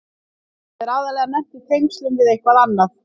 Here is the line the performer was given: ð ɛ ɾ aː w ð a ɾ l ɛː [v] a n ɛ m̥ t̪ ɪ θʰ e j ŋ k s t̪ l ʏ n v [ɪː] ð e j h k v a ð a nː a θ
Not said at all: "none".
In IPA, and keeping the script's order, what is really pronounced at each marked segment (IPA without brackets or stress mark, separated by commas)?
ɣ, ɪ